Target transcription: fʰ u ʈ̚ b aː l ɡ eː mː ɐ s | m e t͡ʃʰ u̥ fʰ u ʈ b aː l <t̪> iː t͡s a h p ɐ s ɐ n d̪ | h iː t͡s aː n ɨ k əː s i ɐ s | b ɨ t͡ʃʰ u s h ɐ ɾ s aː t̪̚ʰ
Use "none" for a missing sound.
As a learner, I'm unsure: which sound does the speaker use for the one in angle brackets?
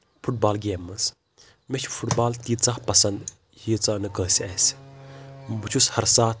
t̪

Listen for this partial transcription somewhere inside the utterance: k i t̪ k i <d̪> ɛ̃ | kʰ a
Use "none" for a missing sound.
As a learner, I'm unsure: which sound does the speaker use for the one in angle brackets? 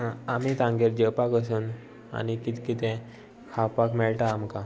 t̪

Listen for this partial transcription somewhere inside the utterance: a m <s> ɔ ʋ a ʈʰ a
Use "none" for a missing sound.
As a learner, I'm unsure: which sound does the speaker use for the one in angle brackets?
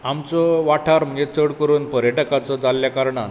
t͡s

